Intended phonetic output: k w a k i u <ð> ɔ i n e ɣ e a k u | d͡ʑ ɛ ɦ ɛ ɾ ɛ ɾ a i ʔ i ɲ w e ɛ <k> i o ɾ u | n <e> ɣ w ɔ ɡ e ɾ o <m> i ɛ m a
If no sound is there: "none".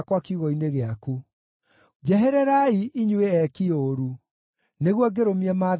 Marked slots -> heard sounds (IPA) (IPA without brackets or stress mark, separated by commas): ɣ, k, e, m